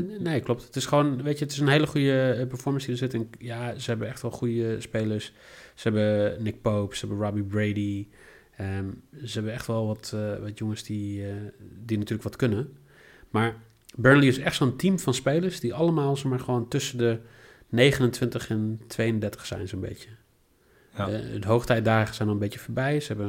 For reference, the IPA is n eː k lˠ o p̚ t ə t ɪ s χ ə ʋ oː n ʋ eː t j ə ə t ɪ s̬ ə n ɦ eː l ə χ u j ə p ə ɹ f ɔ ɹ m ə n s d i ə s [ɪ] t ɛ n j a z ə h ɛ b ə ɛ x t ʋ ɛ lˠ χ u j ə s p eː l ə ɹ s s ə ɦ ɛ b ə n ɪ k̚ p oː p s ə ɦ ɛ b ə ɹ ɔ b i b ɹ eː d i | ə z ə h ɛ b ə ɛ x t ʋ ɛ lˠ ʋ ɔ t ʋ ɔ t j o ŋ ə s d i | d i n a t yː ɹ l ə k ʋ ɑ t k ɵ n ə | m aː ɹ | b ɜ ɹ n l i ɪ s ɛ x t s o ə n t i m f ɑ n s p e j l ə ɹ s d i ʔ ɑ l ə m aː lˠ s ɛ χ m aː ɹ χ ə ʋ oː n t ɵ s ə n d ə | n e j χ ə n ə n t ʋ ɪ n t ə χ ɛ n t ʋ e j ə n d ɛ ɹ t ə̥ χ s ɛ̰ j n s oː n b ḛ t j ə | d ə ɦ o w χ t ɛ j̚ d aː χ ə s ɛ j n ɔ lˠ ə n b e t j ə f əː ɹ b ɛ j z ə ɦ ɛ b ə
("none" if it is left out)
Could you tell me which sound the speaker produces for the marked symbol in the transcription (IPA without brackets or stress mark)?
ɪ